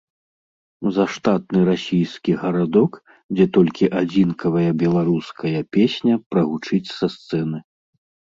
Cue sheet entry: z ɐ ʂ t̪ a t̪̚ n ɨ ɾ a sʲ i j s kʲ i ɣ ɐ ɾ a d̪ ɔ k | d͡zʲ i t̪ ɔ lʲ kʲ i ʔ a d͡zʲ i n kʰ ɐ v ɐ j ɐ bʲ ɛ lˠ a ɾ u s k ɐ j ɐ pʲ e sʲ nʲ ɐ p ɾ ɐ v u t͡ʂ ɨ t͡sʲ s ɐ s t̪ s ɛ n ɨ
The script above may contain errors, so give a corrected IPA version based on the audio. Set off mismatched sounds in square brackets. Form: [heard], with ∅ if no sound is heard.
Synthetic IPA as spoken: z ɐ ʂ t̪ a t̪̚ n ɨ ɾ a sʲ i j s kʲ i ɣ ɐ ɾ a d̪ ɔ k | d͡zʲ [ɛ] t̪ ɔ lʲ kʲ i ʔ a d͡zʲ i n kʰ ɐ v ɐ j ɐ bʲ ɛ lˠ a ɾ u s k ɐ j ɐ pʲ e sʲ nʲ ɐ p ɾ ɐ [ɣ] u t͡ʂ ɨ t͡sʲ s ɐ s t̪ s ɛ n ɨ